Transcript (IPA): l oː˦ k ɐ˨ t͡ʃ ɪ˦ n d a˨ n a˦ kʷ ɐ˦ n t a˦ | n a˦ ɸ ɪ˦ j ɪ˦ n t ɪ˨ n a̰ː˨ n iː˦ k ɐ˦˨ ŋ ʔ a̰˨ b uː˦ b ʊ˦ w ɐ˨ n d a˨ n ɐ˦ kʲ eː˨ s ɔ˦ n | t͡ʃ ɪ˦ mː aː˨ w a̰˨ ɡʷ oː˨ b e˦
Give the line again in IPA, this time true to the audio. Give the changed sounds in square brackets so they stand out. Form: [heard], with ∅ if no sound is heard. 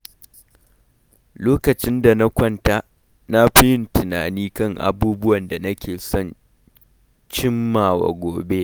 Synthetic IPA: l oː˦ k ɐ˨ t͡ʃ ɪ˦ n d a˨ n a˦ kʷ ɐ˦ n t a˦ | n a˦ ɸ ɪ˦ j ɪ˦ n t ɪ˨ n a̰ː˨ n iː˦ k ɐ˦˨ ŋ ʔ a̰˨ b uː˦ b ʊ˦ w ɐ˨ n d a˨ n ɐ˦ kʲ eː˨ s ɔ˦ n | t͡ʃ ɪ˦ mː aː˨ w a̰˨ ɡʷ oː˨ b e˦